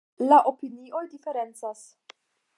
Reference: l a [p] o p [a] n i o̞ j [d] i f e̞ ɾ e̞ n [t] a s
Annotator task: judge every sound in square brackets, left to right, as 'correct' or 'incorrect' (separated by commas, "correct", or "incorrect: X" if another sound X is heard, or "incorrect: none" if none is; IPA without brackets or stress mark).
incorrect: ʔ, incorrect: i, correct, incorrect: t͡s